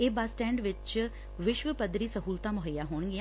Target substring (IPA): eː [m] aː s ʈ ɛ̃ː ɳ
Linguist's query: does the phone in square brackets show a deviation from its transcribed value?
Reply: yes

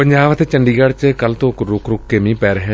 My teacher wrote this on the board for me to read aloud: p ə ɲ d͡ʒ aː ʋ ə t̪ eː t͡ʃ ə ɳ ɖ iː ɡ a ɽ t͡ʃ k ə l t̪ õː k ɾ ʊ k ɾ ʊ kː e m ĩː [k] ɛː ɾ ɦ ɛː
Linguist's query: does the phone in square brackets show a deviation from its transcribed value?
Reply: yes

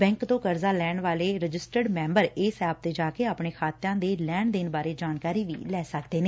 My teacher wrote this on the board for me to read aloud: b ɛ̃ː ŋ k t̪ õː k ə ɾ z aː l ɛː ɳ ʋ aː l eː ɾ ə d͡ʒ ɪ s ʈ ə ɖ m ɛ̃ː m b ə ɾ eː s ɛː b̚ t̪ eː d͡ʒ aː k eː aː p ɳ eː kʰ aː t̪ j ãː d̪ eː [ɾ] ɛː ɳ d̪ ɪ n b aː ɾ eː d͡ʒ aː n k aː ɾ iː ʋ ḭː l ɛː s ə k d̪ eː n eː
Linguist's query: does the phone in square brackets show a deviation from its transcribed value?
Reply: yes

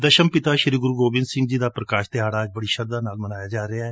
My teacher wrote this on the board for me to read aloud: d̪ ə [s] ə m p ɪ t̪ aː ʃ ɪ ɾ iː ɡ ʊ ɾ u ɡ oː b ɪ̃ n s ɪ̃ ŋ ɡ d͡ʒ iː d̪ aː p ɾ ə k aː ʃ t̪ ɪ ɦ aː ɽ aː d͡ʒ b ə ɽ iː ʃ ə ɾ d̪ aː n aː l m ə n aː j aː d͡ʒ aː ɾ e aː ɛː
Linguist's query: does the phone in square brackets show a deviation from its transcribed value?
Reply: yes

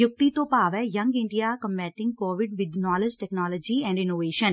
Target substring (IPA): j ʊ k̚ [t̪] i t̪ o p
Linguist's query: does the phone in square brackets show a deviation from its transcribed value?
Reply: no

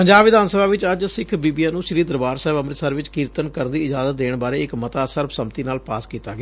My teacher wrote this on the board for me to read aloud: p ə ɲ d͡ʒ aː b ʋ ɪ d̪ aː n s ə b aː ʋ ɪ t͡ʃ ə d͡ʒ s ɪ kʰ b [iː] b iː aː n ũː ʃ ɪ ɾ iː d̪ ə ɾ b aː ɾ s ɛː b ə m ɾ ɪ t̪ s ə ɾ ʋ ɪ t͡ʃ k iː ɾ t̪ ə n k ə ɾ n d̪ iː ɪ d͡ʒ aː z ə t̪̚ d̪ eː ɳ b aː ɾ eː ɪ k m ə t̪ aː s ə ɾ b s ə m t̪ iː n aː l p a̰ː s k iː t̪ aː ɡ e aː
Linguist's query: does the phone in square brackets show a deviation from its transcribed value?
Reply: no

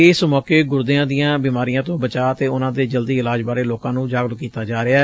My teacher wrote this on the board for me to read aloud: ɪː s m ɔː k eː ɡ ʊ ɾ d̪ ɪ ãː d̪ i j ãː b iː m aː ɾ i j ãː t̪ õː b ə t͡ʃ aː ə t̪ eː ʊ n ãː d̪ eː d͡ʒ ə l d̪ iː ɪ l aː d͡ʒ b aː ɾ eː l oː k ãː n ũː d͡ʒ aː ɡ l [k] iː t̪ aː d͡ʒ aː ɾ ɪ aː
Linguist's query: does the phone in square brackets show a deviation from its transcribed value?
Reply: no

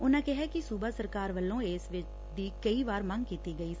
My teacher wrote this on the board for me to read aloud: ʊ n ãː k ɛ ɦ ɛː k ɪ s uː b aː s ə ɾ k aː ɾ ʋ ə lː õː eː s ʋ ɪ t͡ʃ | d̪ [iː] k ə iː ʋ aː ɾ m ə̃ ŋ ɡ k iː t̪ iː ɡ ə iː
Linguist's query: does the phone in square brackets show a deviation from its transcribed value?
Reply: no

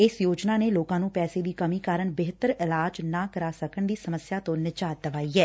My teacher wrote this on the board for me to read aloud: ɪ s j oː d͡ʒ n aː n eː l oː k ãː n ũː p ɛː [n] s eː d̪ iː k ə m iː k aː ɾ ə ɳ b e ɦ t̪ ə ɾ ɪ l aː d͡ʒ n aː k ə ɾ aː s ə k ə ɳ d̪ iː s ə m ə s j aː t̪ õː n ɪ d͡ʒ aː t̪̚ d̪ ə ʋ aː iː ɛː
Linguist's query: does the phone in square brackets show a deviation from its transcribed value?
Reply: yes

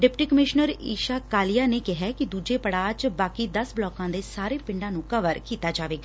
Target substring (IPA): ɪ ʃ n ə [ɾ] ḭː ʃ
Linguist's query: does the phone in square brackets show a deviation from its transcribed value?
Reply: no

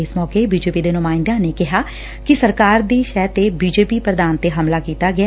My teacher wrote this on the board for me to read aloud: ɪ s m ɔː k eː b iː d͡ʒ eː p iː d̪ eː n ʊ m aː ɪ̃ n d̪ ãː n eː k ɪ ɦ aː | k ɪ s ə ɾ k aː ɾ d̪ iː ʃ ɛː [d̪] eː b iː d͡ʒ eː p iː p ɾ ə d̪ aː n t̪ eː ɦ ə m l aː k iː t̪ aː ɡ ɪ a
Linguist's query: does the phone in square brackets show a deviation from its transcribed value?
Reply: yes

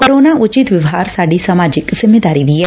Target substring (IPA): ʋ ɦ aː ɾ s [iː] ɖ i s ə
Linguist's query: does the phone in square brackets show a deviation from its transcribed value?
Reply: yes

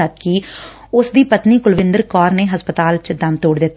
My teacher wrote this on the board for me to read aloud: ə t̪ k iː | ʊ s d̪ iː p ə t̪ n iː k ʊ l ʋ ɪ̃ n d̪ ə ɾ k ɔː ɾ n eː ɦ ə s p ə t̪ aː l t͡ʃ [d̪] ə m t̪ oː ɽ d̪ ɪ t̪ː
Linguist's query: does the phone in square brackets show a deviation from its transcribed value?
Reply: no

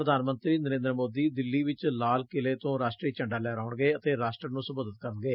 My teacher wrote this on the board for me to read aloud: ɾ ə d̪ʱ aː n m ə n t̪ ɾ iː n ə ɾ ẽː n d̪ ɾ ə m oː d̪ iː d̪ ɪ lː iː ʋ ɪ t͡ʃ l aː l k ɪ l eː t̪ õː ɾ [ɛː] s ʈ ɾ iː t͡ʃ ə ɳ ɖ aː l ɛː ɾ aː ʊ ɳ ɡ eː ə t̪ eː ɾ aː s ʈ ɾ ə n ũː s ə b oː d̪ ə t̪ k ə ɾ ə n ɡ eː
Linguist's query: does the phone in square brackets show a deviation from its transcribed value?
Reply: yes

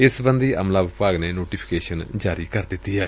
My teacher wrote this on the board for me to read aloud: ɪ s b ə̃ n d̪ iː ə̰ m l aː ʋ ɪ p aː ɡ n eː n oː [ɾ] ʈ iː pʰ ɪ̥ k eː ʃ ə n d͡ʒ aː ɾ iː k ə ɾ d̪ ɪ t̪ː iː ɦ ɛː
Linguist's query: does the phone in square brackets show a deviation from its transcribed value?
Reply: yes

